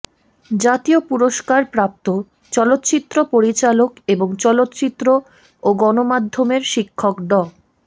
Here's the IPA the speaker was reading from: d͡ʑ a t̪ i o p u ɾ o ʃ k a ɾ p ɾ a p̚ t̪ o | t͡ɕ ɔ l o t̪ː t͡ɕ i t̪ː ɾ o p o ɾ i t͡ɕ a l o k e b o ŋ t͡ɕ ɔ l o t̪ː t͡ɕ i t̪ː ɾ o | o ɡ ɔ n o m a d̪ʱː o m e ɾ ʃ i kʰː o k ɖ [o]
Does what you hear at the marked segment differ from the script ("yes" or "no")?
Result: yes